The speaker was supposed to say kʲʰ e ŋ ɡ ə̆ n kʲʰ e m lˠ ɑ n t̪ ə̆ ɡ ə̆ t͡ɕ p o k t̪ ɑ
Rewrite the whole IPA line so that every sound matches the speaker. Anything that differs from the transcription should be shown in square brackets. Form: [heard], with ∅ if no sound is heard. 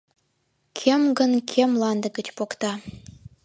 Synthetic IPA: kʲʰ e [m] ɡ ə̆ n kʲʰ e m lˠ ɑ n [d̪] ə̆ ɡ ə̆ t͡ɕ p o k t̪ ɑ